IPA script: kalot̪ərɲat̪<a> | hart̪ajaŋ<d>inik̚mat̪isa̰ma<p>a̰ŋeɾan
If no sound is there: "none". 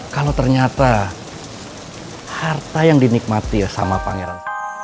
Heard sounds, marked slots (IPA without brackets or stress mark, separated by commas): a, d, p